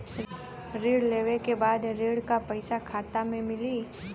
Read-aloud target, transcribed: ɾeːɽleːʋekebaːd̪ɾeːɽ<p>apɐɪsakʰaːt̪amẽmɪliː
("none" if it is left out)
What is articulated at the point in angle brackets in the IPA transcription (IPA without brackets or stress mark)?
k